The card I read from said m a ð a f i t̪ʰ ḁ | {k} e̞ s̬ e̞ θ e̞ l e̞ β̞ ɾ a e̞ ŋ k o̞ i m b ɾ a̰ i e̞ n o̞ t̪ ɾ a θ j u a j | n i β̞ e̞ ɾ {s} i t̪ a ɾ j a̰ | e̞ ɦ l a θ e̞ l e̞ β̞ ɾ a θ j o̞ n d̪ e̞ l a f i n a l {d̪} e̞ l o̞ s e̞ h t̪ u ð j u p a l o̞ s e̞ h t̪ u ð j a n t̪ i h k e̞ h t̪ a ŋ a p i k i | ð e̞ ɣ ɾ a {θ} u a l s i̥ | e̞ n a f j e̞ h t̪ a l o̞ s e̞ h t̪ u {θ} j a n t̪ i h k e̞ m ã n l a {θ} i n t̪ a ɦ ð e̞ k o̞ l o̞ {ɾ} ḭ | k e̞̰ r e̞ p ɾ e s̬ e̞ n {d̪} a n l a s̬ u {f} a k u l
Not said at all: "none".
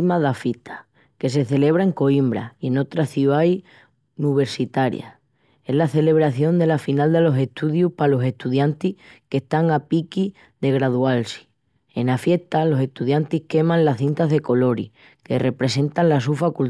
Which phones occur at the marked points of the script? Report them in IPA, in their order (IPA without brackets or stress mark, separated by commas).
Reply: k, s, d̪, ð, ð, θ, ɾ, t̪, f